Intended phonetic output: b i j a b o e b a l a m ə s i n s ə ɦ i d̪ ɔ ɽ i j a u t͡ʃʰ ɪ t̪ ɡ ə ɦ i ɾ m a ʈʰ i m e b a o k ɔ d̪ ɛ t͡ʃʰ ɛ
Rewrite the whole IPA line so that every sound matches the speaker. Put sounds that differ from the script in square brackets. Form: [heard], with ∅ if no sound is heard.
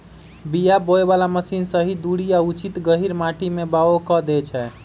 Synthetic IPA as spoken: b i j a b o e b a l a m ə s i n s ə ɦ i d̪ [u] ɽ i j a u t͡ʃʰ [i] t̪ ɡ ə ɦ i ɾ m a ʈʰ i m e b a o k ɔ d̪ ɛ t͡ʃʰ ɛ